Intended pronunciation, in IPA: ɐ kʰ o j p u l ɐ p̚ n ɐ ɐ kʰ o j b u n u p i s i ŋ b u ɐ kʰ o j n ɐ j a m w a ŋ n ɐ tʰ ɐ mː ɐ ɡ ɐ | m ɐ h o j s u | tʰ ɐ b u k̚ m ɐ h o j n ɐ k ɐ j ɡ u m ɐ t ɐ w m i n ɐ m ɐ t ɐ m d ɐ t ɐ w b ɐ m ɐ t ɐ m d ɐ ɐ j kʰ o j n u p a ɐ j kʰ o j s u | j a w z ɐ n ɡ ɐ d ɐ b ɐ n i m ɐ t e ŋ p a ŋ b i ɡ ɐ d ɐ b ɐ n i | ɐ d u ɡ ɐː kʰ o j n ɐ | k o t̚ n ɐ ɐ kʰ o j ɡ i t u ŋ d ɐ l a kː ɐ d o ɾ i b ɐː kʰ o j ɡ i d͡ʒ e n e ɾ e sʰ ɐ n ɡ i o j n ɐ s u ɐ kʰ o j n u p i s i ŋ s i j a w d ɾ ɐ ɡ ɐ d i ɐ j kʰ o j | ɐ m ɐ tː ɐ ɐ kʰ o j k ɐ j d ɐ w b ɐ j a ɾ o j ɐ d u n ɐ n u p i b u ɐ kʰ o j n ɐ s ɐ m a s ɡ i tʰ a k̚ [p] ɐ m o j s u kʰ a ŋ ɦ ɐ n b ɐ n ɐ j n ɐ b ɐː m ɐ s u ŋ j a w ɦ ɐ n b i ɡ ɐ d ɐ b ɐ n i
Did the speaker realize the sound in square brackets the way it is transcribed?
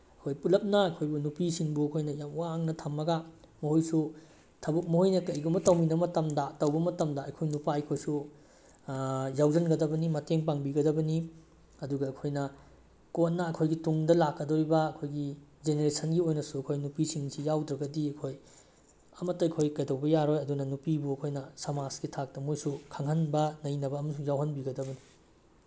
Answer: no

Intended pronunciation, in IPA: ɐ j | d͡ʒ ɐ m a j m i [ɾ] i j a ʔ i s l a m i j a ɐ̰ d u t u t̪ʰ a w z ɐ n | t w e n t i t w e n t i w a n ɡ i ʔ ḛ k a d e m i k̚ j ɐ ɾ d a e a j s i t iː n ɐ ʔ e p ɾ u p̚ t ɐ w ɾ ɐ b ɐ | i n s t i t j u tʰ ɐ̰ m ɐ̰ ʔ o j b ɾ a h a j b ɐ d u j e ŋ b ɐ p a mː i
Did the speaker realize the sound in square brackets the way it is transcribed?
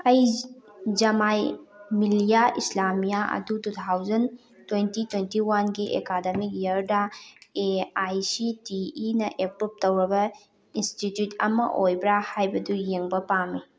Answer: no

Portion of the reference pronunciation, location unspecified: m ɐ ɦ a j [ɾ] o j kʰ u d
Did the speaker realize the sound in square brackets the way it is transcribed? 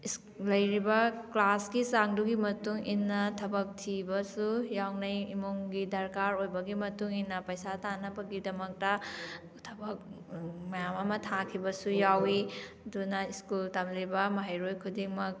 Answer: yes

